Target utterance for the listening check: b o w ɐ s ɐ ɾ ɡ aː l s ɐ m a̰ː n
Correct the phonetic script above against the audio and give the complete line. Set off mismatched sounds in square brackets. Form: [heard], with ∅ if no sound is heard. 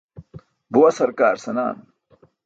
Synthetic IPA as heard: b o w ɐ s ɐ ɾ [k] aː [ɾ] s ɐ [n] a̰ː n

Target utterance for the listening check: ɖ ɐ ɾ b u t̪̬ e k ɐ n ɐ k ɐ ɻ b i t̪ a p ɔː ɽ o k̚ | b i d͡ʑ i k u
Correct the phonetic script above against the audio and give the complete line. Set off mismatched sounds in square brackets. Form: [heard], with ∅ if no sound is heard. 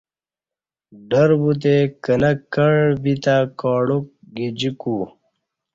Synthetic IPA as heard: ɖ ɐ ɾ b u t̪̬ e k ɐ n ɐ k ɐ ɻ b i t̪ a [k] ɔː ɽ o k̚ | [ɡ] i d͡ʑ i k u

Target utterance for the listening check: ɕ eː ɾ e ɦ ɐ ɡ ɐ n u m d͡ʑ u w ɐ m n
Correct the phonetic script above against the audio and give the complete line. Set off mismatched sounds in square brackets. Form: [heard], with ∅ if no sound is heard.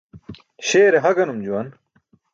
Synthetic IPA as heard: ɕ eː ɾ e ɦ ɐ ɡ ɐ n u m d͡ʑ u w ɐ [∅] n

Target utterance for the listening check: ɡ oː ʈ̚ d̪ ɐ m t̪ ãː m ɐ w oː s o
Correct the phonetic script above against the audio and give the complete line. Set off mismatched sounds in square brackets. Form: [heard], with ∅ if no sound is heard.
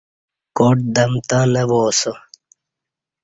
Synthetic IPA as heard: [k] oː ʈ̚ d̪ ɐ m t̪ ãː [n] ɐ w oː s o

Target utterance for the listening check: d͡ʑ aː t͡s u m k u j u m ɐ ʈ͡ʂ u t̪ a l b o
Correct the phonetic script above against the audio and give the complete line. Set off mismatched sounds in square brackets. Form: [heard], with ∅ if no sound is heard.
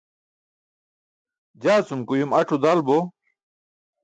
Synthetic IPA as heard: d͡ʑ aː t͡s u m k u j u m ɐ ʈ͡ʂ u [d̪] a l b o

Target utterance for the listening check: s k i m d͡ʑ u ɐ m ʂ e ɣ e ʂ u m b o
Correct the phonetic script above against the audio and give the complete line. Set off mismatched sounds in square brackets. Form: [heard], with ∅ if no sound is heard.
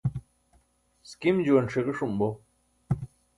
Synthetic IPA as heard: s k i m d͡ʑ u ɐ [n] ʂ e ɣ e ʂ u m b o

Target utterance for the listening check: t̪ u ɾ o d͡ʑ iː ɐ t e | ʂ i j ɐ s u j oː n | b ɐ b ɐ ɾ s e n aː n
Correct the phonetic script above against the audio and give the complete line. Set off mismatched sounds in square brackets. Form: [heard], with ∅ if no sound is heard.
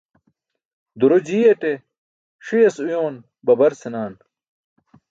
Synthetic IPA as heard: [d̪] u ɾ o d͡ʑ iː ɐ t e | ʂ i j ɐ s u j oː n | b ɐ b ɐ ɾ s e n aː n

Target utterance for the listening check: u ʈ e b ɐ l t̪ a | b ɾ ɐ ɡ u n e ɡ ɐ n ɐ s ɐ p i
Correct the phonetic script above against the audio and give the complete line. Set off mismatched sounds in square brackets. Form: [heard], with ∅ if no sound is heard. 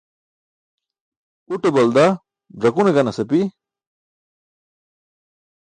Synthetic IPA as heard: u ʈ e b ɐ l [d̪] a | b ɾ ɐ [k] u n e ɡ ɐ n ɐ s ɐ p i

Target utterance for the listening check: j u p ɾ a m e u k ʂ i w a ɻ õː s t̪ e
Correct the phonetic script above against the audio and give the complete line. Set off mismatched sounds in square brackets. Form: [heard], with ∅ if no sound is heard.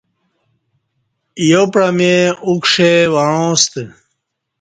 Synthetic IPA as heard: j [o] p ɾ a m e u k ʂ [e] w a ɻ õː s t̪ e

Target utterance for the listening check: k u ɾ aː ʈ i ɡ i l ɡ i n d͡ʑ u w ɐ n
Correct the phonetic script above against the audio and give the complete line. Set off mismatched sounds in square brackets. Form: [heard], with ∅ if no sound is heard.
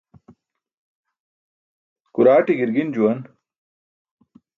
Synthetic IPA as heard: k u ɾ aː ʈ i ɡ i [ɾ] ɡ i n d͡ʑ u w ɐ n

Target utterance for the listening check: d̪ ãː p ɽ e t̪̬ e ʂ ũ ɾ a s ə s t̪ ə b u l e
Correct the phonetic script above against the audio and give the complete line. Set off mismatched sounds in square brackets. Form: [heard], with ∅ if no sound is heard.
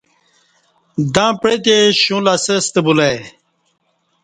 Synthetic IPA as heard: d̪ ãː p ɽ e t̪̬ e [ɕ] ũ [l] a s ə s t̪ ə b u l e

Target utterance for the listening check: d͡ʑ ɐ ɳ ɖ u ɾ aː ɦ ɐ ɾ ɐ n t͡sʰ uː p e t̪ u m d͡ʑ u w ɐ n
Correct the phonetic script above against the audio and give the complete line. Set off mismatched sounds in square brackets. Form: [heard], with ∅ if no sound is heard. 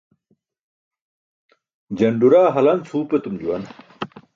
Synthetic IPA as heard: d͡ʑ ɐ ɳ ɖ u ɾ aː ɦ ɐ [l] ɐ n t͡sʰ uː p e t̪ u m d͡ʑ u w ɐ n

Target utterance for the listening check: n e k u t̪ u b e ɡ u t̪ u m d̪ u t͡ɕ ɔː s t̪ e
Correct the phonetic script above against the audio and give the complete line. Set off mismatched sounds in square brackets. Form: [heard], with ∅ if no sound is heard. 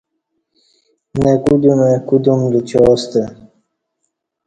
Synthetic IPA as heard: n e k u [d̪] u [m] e [k] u [d̪] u m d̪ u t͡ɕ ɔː s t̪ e

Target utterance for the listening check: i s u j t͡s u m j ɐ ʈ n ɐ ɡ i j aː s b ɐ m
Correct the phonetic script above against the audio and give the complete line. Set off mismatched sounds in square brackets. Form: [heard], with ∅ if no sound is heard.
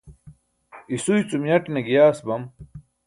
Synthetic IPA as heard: i s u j t͡s u m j ɐ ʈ n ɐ ɡ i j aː s b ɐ m

